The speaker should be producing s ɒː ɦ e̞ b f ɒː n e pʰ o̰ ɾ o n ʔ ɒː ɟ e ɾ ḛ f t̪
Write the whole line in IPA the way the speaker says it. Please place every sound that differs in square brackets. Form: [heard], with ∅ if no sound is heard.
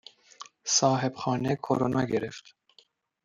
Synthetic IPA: s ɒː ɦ e̞ b [x] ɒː n e [kʰ] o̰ ɾ o n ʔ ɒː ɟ e ɾ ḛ f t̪

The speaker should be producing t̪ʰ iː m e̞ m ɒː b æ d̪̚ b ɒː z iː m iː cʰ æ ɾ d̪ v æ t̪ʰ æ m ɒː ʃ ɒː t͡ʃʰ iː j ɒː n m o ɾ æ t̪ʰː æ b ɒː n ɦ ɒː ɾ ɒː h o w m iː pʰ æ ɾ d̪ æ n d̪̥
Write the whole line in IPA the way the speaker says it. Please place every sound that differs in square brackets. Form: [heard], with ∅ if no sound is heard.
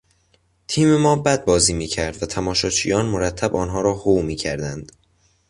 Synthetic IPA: t̪ʰ iː m e̞ m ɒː b æ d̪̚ b ɒː z iː m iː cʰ æ ɾ d̪ v æ t̪ʰ æ m ɒː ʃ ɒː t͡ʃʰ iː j ɒː n m o ɾ æ t̪ʰː æ b ɒː n ɦ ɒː ɾ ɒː h o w m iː [cʰ] æ ɾ d̪ æ n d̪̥

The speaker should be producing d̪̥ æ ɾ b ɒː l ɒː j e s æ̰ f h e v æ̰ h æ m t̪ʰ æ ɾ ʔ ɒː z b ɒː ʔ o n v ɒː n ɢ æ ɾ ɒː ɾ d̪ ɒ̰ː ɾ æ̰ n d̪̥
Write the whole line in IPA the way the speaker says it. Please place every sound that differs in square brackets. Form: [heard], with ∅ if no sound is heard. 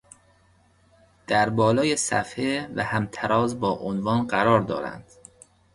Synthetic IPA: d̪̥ æ ɾ b ɒː l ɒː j e s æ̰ f h e v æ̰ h æ m t̪ʰ æ ɾ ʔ ɒː z b ɒː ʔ o n v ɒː n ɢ æ ɾ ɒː ɾ d̪ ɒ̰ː ɾ æ̰ n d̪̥

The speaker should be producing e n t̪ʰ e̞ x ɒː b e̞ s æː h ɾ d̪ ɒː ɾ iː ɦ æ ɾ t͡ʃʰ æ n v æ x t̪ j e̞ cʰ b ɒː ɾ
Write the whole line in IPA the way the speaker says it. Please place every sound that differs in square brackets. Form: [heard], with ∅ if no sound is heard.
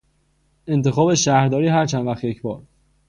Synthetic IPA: e n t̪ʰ e̞ x ɒː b e̞ [ʃ] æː h ɾ d̪ ɒː ɾ iː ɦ æ ɾ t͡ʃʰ æ n v æ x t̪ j e̞ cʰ b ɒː ɾ

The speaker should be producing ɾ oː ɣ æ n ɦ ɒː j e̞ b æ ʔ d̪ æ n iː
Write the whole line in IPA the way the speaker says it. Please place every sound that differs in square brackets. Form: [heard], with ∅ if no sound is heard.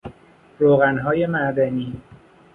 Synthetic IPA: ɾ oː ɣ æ n ɦ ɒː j e̞ [m] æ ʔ d̪ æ n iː

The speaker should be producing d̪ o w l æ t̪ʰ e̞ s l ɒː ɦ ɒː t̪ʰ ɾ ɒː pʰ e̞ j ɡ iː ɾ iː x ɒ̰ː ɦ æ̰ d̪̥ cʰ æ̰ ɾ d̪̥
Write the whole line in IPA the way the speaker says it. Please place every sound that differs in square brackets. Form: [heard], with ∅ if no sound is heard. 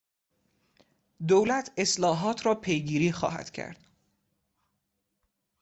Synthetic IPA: d̪ o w l æ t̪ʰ e̞ s l ɒː ɦ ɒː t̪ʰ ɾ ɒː pʰ e̞ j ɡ iː ɾ iː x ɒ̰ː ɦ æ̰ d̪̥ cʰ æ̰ ɾ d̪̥

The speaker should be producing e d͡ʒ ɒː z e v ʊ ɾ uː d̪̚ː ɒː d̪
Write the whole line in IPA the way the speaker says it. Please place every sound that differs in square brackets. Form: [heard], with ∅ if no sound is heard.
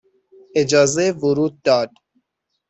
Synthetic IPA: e d͡ʒ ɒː z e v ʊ ɾ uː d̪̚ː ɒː d̪

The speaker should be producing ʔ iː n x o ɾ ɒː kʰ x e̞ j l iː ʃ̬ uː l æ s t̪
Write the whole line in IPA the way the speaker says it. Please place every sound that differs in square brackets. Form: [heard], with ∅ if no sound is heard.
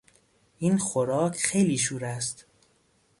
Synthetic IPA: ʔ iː n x o ɾ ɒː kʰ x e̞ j l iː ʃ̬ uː [ɾ] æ s t̪

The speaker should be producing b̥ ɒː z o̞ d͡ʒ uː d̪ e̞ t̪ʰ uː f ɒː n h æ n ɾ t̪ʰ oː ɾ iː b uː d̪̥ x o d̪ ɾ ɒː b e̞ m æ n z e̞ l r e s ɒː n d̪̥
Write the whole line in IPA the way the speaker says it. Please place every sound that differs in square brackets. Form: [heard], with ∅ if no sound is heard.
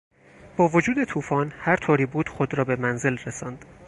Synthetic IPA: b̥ ɒː [v] o̞ d͡ʒ uː d̪ e̞ t̪ʰ uː f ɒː n h æ [∅] ɾ t̪ʰ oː ɾ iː b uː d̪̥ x o d̪ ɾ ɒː b e̞ m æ n z e̞ l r e s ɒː n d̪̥

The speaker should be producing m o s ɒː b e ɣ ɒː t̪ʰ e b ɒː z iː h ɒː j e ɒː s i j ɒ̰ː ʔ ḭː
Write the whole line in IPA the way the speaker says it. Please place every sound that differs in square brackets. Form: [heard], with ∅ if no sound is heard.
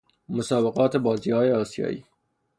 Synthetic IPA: m o s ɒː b e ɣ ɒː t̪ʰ e b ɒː z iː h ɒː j e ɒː s i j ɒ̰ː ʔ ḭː

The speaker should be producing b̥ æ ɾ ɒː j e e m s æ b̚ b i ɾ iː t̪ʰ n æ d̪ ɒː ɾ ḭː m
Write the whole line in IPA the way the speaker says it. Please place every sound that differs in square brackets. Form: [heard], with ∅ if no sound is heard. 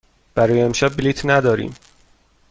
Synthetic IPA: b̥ æ ɾ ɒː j e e m [ʃ] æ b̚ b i [l] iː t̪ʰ n æ d̪ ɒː ɾ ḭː m

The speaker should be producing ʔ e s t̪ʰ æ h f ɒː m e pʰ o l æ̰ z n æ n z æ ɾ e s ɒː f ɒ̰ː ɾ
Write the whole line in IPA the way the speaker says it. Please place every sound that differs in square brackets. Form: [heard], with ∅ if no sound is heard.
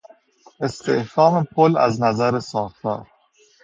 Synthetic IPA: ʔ e s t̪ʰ [e] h f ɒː m e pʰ o l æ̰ z n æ [∅] z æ ɾ e s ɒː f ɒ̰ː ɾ

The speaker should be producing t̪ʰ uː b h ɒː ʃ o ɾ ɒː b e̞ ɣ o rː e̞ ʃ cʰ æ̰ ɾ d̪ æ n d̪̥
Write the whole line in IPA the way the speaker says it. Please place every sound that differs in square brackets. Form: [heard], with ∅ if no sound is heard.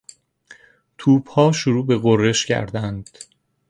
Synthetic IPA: t̪ʰ uː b h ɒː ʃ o ɾ [uː] b e̞ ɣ o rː e̞ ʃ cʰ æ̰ ɾ d̪ æ n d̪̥

